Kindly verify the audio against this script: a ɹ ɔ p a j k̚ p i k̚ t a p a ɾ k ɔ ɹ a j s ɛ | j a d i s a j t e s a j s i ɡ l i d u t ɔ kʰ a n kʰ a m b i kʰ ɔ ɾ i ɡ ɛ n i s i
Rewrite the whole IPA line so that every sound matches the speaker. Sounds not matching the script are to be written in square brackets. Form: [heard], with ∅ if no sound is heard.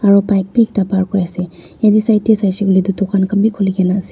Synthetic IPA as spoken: a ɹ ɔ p a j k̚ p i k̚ t a p a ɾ k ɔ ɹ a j s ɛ | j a d i s a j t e s a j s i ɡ l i d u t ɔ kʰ a n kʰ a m b i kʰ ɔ [l] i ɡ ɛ n [a] s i